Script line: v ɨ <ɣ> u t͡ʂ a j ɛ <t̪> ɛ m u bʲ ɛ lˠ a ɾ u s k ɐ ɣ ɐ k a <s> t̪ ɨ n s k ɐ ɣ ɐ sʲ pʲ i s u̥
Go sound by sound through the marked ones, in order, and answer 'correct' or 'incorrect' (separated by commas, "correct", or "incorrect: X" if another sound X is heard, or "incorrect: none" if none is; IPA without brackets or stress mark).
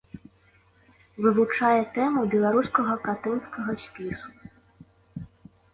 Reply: incorrect: v, correct, incorrect: none